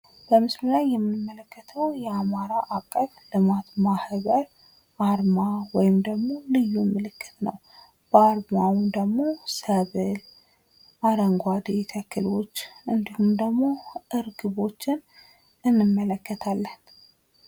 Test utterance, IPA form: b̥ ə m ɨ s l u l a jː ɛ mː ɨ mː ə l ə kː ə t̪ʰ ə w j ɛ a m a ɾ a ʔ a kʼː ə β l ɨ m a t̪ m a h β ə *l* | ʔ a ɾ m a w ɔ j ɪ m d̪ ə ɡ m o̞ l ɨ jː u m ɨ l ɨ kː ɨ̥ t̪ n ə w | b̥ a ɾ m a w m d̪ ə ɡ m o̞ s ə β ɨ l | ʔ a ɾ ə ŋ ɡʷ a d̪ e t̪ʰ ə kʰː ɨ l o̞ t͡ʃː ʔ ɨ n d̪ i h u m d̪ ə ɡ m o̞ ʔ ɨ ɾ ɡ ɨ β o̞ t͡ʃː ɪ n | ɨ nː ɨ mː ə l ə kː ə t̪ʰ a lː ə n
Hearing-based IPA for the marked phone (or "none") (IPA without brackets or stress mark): ɾ